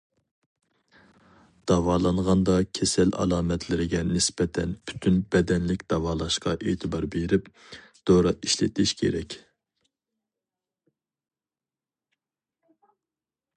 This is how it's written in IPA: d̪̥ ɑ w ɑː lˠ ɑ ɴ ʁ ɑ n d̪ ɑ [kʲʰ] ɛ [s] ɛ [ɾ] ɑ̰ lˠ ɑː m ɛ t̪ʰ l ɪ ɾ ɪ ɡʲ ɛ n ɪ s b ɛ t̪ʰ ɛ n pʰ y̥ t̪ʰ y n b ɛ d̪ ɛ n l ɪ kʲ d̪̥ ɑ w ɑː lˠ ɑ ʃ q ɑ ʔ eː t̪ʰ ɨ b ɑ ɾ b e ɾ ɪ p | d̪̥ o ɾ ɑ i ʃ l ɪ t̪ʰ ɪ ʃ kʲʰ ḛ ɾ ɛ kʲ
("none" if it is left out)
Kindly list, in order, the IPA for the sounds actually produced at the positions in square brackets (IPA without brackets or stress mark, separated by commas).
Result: kʲʰ, s, l